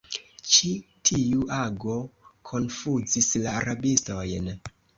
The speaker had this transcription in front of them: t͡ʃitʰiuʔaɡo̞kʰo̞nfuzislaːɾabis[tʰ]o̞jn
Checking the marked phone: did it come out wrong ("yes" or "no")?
yes